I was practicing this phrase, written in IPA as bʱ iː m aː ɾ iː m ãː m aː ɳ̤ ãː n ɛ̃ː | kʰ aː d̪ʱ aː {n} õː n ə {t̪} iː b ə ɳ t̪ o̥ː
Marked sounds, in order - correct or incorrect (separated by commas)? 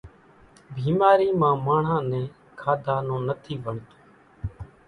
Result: correct, incorrect